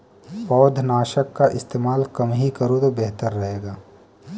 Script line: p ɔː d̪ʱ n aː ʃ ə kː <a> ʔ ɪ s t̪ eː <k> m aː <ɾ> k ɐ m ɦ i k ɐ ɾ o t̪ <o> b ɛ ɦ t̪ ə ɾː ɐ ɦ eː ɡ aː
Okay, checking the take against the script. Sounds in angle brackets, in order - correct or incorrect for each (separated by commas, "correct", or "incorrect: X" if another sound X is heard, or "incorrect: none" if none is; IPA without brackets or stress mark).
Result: correct, incorrect: none, incorrect: l, correct